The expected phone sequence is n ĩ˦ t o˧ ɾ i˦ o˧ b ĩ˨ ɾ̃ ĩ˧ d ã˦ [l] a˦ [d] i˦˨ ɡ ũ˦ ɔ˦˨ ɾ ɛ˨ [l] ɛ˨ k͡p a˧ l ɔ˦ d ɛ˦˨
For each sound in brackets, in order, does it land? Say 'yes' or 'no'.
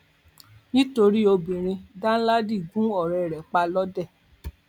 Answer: yes, yes, no

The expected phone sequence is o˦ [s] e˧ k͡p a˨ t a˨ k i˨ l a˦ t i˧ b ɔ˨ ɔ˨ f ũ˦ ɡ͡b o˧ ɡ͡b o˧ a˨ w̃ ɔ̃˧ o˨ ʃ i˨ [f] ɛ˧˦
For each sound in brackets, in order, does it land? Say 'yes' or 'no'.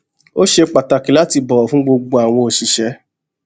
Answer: no, no

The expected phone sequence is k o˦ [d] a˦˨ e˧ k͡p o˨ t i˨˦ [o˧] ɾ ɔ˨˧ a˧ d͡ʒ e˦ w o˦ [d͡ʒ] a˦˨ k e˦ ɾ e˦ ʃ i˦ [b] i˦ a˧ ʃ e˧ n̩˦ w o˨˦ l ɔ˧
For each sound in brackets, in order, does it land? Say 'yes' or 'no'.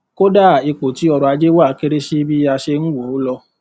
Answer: yes, no, no, yes

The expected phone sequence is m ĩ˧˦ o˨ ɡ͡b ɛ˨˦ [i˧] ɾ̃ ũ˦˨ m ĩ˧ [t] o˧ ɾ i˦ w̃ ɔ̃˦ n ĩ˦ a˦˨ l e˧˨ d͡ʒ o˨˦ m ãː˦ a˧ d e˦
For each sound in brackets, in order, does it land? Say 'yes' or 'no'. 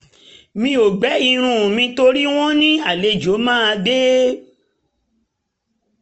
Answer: yes, yes

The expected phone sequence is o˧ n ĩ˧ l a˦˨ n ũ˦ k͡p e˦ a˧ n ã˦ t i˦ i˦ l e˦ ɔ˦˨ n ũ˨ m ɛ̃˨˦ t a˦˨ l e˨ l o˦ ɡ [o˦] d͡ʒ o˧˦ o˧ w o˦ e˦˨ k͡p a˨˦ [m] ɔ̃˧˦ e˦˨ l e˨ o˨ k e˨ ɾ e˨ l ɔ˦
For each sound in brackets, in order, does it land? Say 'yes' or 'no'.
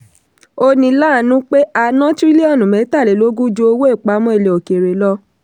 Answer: no, yes

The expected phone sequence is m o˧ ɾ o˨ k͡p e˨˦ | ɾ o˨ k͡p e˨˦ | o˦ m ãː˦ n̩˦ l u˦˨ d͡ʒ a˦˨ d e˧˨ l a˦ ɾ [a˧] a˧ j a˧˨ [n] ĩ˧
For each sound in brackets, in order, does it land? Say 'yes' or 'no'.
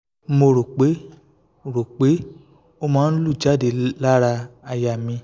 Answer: yes, no

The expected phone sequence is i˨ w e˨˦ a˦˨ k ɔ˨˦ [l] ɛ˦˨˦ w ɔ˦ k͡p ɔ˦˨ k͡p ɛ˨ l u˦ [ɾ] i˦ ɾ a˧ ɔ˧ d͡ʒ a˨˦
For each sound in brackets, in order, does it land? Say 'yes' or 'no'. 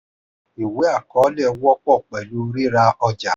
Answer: yes, yes

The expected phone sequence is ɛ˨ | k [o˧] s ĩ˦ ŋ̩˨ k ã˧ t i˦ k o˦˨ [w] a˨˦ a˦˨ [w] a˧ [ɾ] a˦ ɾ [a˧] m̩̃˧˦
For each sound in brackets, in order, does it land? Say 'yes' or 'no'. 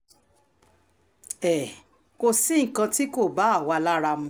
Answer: yes, no, yes, no, yes

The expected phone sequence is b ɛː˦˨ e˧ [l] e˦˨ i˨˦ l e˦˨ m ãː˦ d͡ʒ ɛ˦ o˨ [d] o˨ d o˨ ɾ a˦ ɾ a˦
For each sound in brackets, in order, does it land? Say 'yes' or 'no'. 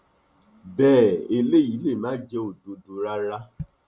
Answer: yes, yes

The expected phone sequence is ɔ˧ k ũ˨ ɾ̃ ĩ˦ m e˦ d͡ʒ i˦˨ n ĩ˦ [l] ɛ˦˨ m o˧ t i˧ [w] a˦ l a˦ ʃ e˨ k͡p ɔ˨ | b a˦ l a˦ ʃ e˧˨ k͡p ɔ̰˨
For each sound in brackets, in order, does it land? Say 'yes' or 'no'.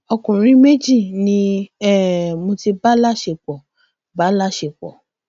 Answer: no, no

